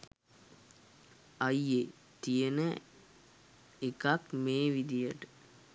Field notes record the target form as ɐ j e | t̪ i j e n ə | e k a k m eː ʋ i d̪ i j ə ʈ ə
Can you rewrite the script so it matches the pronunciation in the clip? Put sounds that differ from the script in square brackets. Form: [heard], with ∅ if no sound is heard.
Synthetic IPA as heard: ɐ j e | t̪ i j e n ə | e k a k m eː ʋ i d̪ i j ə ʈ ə